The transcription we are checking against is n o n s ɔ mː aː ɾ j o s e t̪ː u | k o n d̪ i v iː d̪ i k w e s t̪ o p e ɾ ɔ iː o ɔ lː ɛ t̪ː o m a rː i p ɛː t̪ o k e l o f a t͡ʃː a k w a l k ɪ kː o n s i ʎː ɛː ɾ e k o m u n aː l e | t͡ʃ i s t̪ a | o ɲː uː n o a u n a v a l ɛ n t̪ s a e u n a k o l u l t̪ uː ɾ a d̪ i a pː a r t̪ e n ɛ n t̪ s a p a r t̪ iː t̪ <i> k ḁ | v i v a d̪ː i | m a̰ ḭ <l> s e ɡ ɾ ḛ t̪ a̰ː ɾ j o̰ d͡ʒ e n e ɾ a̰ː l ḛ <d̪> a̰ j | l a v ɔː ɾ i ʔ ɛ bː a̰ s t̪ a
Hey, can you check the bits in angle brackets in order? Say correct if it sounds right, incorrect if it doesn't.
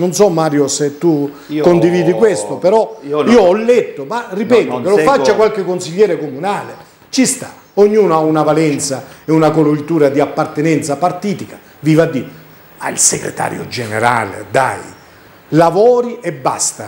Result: correct, correct, correct

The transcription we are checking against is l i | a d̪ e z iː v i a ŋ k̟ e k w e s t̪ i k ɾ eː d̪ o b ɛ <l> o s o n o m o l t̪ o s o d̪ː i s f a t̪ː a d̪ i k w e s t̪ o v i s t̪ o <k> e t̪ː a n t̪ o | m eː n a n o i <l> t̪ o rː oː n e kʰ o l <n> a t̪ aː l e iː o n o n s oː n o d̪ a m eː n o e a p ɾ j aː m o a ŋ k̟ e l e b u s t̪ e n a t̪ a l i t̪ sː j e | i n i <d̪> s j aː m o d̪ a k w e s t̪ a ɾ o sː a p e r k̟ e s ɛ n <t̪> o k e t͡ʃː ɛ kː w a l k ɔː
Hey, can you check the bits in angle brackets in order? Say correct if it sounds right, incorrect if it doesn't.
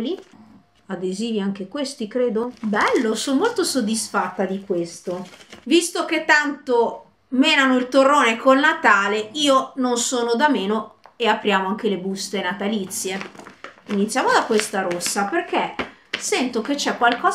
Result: incorrect: lː, correct, correct, correct, incorrect: t̪, correct

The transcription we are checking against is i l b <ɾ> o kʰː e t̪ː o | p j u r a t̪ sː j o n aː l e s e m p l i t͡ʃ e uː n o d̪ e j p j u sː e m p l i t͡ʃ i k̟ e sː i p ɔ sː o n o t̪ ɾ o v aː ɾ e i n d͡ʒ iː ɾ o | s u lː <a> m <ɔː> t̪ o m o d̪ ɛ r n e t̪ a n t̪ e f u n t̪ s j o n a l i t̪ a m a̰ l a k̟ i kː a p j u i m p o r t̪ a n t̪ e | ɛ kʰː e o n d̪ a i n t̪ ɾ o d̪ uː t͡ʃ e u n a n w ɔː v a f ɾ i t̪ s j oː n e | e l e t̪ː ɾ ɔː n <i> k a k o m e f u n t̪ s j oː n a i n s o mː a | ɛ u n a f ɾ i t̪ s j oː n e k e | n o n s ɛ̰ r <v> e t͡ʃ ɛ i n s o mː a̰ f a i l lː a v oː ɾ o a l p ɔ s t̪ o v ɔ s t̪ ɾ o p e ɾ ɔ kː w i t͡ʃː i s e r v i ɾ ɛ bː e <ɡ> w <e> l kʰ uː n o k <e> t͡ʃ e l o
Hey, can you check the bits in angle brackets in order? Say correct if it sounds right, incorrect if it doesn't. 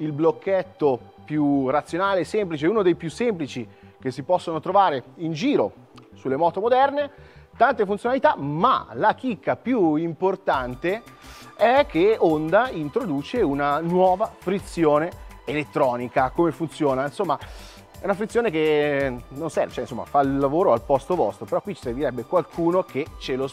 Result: incorrect: l, incorrect: e, correct, correct, correct, incorrect: k, incorrect: a, correct

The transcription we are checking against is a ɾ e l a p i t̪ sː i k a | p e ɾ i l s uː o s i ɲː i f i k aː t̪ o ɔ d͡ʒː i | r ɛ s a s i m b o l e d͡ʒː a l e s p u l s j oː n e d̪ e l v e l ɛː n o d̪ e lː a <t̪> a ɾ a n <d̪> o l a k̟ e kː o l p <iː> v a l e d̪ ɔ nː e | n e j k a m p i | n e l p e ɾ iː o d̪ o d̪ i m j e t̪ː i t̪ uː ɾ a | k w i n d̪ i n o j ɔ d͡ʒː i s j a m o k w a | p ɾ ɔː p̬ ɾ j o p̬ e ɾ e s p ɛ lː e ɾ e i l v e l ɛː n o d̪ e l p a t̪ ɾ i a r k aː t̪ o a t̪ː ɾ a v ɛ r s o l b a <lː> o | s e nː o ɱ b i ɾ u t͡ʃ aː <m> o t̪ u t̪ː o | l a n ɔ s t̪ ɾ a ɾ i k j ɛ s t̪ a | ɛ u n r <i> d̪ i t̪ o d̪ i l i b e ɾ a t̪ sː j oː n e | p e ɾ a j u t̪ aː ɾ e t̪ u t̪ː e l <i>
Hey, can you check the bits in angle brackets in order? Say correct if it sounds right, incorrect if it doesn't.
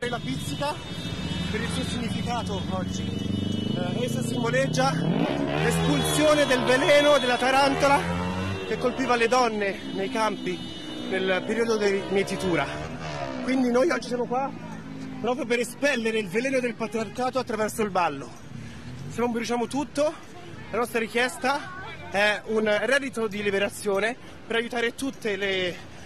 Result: correct, incorrect: t̪, correct, correct, correct, incorrect: ɛ, incorrect: e

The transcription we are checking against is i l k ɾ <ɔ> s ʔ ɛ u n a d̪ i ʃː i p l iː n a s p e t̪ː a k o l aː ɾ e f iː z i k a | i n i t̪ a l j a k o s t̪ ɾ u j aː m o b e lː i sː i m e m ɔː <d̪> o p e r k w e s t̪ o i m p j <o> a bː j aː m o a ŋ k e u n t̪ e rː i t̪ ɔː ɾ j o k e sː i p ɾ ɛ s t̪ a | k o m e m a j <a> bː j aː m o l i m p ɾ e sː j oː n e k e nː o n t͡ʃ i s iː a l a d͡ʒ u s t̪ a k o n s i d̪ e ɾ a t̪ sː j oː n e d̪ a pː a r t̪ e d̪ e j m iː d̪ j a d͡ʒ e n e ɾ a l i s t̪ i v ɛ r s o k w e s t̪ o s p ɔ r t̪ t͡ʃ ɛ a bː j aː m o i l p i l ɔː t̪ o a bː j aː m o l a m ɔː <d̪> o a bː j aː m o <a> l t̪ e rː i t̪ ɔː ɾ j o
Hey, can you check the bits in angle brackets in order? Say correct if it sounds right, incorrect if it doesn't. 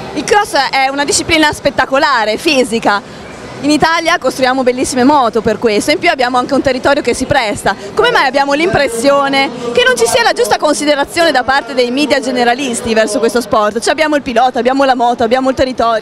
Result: correct, incorrect: t̪, incorrect: u, correct, incorrect: t̪, incorrect: i

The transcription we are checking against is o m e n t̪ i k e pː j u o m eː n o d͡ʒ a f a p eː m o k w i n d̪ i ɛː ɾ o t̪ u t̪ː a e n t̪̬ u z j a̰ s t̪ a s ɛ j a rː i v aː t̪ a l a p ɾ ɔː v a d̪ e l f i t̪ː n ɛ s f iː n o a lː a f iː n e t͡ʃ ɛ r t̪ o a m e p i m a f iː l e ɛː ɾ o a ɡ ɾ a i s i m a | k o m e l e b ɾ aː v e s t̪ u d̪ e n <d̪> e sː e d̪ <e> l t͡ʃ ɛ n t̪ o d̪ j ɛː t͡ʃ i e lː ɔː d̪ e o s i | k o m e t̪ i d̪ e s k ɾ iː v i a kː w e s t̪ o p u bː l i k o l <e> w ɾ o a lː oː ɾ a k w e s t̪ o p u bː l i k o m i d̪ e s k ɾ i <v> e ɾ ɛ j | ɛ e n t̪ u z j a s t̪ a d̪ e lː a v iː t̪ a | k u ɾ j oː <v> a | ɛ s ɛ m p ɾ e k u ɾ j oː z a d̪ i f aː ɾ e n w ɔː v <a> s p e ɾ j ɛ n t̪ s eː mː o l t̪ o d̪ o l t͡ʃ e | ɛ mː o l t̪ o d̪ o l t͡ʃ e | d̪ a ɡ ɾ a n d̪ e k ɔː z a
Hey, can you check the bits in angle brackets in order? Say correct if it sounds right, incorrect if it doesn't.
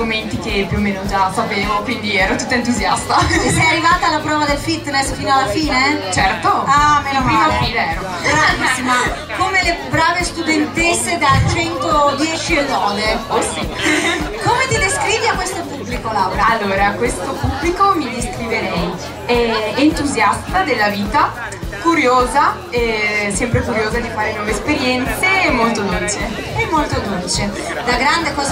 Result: incorrect: t̪, incorrect: a, incorrect: a, correct, incorrect: z, incorrect: e

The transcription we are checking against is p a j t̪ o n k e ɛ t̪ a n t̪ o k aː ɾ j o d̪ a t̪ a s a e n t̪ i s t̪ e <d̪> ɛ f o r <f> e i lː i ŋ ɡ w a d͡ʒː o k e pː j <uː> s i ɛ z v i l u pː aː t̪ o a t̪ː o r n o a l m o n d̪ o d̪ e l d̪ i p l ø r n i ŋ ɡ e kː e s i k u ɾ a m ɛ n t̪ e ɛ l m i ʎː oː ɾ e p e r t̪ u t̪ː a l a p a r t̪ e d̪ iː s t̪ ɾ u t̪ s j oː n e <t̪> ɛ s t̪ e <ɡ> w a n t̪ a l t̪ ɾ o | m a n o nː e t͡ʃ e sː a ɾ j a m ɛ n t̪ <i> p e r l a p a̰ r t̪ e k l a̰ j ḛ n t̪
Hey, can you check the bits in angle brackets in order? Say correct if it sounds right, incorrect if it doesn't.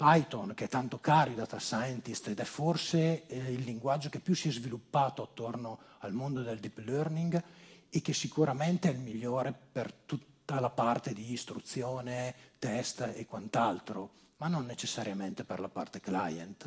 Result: correct, incorrect: s, incorrect: u, correct, incorrect: k, incorrect: e

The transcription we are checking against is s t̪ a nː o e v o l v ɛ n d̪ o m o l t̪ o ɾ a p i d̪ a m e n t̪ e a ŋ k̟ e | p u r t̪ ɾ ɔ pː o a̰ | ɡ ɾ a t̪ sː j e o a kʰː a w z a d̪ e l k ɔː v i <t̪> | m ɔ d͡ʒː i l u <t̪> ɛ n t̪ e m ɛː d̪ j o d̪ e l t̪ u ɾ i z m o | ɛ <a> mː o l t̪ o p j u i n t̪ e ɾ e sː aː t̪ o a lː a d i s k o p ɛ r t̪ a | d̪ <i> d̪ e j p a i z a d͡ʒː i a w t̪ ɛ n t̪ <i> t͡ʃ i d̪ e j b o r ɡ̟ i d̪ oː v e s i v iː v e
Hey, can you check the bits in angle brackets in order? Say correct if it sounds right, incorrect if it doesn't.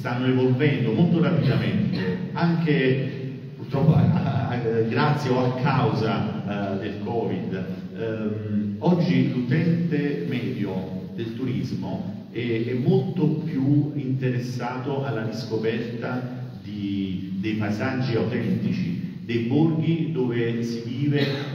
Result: incorrect: d̪, correct, incorrect: ɛ, correct, correct

